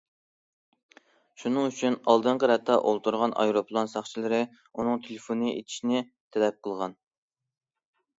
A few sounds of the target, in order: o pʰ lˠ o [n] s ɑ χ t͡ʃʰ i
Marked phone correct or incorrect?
correct